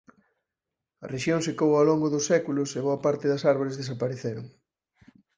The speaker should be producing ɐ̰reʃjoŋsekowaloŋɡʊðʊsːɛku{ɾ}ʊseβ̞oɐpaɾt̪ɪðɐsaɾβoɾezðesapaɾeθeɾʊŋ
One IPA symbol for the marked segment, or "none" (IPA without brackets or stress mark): l